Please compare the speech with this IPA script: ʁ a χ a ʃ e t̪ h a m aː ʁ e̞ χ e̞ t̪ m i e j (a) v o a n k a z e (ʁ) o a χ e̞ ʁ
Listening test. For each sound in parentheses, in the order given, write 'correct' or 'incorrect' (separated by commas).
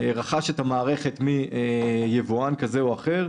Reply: incorrect, incorrect